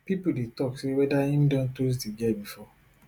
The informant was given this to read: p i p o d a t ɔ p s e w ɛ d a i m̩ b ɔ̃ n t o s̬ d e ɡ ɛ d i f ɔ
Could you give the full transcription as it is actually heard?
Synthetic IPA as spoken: p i p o d e t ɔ k s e w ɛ d a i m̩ d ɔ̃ n t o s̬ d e ɡ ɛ b i f ɔ